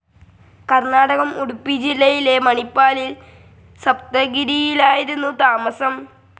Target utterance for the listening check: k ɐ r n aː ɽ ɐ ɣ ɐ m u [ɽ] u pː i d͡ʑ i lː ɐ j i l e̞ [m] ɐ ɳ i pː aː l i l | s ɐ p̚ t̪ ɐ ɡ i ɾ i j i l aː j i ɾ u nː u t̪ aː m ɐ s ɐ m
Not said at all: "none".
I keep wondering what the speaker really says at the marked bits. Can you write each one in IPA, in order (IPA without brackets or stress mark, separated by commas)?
ɽ, m